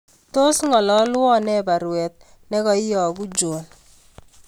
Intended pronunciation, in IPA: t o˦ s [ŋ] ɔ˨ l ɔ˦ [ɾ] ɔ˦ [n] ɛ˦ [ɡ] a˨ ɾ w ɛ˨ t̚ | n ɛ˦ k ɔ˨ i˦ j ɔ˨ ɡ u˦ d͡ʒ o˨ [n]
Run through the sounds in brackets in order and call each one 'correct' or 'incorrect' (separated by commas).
correct, incorrect, correct, incorrect, correct